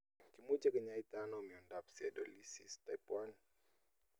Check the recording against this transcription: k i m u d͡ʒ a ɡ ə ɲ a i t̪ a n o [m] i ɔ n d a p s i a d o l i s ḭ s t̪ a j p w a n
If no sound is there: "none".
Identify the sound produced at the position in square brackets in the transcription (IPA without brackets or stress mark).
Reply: m